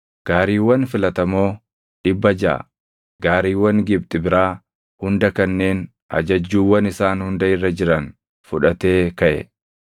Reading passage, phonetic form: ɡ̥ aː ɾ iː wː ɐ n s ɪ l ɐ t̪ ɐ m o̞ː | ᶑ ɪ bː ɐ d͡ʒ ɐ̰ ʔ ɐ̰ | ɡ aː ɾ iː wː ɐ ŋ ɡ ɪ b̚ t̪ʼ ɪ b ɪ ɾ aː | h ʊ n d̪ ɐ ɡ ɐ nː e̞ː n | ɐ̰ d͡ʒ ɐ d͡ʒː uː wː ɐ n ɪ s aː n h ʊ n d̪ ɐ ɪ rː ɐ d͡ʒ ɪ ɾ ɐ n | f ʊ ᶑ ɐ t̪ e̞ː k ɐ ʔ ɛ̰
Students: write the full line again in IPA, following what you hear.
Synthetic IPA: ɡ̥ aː ɾ iː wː ɐ n f ɪ l ɐ t̪ ɐ m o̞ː | ᶑ ɪ bː ɐ d͡ʒ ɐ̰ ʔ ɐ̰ | ɡ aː ɾ iː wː ɐ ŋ ɡ ɪ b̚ t̪ʼ ɪ b ɪ ɾ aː | h ʊ n d̪ ɐ k ɐ nː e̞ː n | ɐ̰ d͡ʒ ɐ d͡ʒː uː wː ɐ n ɪ s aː n h ʊ n d̪ ɐ ɪ rː ɐ d͡ʒ ɪ ɾ ɐ n | f ʊ ᶑ ɐ t̪ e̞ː k ɐ ʔ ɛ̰

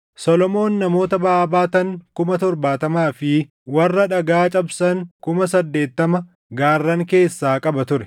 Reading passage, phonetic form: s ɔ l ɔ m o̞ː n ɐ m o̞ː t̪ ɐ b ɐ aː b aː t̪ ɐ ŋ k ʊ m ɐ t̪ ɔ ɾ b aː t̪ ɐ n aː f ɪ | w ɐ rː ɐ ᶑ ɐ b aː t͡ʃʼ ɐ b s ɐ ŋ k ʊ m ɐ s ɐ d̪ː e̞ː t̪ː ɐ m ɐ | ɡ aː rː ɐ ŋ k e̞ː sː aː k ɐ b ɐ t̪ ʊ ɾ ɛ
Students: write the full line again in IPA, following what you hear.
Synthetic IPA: s ɔ l ɔ m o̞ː nː ɐ m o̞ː t̪ ɐ b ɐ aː b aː t̪ ɐ ŋ k ʊ m ɐ t̪ ɔ ɾ b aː t̪ ɐ m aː f ɪ | w ɐ rː ɐ ᶑ ɐ ɡ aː t͡ʃʼ ɐ b s ɐ ŋ k ʊ m ɐ s ɐ d̪ː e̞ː t̪ː ɐ m ɐ | ɡ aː rː ɐ ŋ k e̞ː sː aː kʼ ɐ b ɐ t̪ ʊ ɾ ɛ

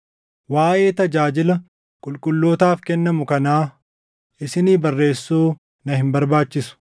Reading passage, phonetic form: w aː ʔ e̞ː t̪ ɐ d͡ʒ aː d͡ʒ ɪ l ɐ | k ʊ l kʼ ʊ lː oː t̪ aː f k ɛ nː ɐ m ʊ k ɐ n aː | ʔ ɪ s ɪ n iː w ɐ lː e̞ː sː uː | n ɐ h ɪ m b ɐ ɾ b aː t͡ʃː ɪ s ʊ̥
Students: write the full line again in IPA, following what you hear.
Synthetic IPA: w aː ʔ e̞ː t̪ ɐ d͡ʒ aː d͡ʒ ɪ l ɐ | kʼ ʊ l kʼ ʊ lː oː t̪ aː f k ɛ nː ɐ m ʊ k ɐ n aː | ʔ ɪ s ɪ n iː b ɐ rː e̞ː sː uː | n ɐ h ɪ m b ɐ ɾ b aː t͡ʃː ɪ s ʊ̥

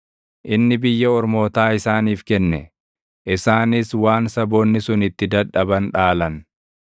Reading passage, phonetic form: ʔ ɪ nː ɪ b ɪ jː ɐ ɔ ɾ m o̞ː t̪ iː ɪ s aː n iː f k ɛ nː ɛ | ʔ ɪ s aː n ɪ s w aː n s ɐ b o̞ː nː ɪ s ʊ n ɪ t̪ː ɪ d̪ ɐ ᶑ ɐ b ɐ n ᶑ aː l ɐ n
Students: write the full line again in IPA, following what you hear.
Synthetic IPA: ʔ ɪ nː ɪ b ɪ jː ɐ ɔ ɾ m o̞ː t̪ aː ɪ s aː n iː f k ɛ nː ɛ | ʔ ɪ s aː n ɪ s w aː n s ɐ b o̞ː nː ɪ s ʊ n ɪ t̪ː ɪ d̪ ɐ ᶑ ɐ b ɐ n ᶑ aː l ɐ n

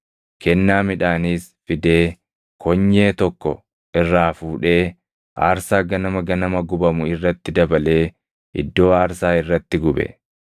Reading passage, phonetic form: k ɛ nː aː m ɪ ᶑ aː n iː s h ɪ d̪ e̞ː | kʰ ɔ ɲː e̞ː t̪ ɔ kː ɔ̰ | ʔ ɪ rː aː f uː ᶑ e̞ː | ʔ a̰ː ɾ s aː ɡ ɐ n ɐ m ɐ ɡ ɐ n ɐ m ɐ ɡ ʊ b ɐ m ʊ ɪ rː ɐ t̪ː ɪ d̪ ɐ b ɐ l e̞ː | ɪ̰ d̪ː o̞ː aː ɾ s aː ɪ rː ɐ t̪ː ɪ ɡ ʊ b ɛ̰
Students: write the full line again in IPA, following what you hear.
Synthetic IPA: k ɛ nː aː m ɪ ᶑ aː n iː s f ɪ d̪ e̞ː | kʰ ɔ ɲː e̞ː t̪ ɔ kː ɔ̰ | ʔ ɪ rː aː f uː ᶑ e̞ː | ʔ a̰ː ɾ s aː ɡ ɐ n ɐ m ɐ ɡ ɐ n ɐ m ɐ ɡ ʊ b ɐ m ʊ ɪ rː ɐ t̪ː ɪ d̪ ɐ b ɐ l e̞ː | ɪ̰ d̪ː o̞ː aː ɾ s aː ɪ rː ɐ t̪ː ɪ ɡ ʊ b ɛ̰

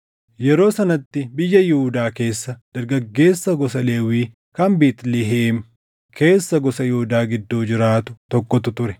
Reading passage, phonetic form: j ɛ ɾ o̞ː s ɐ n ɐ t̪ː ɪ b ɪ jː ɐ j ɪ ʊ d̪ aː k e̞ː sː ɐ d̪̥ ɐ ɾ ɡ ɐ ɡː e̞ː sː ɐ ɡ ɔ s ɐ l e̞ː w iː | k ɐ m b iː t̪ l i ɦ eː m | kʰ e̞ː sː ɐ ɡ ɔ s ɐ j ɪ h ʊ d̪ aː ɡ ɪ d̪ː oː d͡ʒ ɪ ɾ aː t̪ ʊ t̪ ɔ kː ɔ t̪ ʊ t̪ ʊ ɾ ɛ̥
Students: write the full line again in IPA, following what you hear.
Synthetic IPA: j ɛ ɾ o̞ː s ɐ n ɐ t̪ː ɪ b ɪ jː ɐ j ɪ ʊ d̪ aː k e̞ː sː ɐ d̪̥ ɐ ɾ ɡ ɐ ɡː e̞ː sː ɐ ɡ ɔ s ɐ l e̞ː w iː | k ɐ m b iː t̪ l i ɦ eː m | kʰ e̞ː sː ɐ ɡ ɔ s ɐ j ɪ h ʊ d̪ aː ɡ ɪ d̪ː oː d͡ʒ ɪ ɾ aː t̪ ʊ t̪ ɔ kː ɔ t̪ ʊ t̪ ʊ ɾ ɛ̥

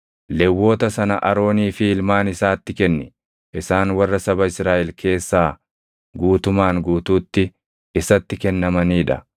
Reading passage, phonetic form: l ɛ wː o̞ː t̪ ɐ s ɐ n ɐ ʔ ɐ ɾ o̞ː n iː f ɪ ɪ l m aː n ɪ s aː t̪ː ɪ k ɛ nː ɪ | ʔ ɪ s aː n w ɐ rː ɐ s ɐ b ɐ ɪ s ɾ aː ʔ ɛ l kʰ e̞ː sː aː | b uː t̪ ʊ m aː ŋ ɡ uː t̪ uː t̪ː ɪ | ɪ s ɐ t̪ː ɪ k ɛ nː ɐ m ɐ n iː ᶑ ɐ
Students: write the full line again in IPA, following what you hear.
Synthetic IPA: l ɛ wː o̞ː t̪ ɐ s ɐ n ɐ ʔ ɐ ɾ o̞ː n iː f ɪ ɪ l m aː n ɪ s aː t̪ː ɪ k ɛ nː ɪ | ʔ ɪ s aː n w ɐ rː ɐ s ɐ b ɐ ɪ s ɾ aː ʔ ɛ l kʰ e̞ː sː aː | ɡ uː t̪ ʊ m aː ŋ ɡ uː t̪ uː t̪ː ɪ | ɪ s ɐ t̪ː ɪ k ɛ nː ɐ m ɐ n iː ᶑ ɐ

